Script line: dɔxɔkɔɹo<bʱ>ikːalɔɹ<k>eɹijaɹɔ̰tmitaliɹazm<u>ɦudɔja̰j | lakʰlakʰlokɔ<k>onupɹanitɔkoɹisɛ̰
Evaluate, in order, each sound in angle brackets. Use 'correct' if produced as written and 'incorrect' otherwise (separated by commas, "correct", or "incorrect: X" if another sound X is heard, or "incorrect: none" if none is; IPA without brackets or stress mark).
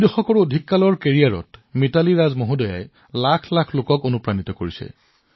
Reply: incorrect: dʱ, correct, incorrect: o, correct